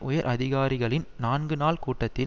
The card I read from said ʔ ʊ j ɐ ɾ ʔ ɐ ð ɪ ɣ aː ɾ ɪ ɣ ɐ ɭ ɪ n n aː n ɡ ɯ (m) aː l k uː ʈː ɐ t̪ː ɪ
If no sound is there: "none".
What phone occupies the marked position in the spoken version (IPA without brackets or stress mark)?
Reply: n